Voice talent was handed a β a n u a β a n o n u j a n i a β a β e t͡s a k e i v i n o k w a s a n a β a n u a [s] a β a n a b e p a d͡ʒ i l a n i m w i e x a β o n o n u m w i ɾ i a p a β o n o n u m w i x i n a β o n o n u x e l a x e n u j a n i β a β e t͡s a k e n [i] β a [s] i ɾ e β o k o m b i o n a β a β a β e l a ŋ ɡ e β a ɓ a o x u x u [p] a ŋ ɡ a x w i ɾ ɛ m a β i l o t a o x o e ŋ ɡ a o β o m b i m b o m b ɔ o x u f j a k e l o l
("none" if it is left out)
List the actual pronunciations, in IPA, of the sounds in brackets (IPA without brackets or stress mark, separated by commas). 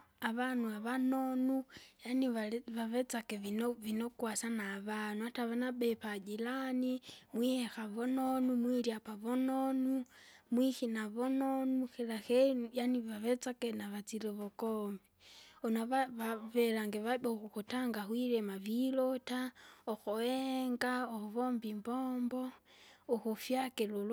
t, a, t͡s, t